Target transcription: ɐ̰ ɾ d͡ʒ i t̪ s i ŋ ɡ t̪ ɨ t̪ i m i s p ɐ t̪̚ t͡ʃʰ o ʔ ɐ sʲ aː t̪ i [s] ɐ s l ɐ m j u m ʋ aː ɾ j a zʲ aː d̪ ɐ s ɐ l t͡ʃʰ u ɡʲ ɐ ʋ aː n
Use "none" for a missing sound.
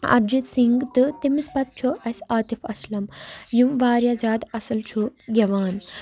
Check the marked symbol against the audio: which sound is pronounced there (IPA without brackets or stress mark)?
f